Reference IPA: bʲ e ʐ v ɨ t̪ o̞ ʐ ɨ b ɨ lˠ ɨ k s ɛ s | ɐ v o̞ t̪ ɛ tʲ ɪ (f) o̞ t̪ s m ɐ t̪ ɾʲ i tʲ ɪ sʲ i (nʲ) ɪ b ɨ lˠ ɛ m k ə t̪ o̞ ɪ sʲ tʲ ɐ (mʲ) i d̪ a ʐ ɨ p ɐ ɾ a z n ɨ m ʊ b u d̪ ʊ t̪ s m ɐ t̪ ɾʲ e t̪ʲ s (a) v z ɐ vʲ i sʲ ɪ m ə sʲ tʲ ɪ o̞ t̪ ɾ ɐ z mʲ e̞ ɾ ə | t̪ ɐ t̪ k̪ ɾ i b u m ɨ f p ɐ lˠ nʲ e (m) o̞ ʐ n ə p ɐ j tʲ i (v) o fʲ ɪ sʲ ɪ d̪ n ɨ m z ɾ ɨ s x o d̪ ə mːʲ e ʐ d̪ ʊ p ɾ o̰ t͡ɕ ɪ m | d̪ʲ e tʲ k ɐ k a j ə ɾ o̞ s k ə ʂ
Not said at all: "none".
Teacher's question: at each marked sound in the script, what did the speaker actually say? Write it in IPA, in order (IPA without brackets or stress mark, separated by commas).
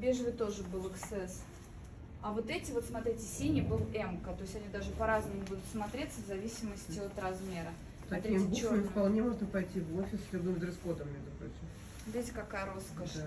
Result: v, nʲ, nʲ, ə, m, v